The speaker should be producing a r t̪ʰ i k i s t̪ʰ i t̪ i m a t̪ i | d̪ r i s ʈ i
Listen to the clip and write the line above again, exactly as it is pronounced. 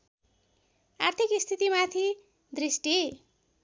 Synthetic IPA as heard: a r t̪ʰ i k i s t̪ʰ i t̪ i m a t̪ʰ i | d̪ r i s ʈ i